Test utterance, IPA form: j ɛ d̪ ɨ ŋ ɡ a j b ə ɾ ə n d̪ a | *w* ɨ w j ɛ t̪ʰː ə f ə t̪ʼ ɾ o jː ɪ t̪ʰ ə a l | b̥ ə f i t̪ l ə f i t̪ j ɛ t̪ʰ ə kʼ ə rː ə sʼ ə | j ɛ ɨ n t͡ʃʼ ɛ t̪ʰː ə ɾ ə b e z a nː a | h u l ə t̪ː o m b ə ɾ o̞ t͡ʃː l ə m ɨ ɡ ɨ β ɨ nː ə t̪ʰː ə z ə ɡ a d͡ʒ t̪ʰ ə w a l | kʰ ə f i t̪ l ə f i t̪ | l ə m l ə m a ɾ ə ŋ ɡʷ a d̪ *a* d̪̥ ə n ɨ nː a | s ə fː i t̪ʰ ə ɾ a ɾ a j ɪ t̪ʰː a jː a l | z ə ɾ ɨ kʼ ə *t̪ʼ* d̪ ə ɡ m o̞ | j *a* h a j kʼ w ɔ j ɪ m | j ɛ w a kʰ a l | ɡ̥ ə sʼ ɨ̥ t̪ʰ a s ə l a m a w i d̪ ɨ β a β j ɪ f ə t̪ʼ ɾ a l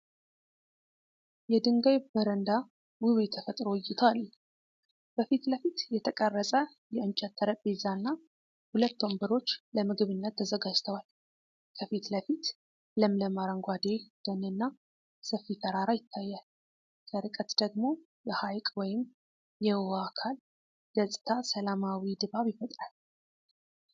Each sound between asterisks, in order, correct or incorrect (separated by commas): correct, incorrect, incorrect, incorrect